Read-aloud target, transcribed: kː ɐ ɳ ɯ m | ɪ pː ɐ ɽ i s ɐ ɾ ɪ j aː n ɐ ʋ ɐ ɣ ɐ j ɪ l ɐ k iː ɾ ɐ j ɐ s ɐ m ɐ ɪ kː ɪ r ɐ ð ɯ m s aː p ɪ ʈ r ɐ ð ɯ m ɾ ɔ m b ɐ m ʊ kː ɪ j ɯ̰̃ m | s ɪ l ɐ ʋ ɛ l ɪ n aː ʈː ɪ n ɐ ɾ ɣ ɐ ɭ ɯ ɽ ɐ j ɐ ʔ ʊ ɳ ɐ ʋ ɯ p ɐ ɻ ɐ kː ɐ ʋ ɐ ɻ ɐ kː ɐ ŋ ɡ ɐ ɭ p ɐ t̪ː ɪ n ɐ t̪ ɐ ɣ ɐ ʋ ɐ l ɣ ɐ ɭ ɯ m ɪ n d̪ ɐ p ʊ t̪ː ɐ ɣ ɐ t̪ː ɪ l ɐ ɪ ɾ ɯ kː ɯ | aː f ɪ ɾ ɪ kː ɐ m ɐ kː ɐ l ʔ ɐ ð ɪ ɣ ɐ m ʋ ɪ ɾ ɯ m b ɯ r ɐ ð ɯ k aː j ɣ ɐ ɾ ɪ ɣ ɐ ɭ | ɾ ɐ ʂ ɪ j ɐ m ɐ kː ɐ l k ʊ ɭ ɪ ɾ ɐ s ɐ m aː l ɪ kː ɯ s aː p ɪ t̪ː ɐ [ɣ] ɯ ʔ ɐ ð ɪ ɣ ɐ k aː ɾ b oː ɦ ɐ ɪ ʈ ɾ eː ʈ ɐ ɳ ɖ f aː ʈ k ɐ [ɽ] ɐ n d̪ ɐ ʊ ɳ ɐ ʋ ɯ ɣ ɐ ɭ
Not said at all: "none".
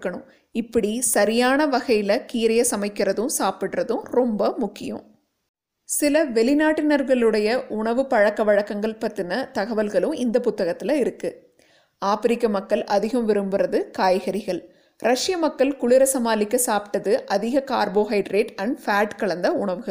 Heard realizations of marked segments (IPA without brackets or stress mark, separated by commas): ð, ɭ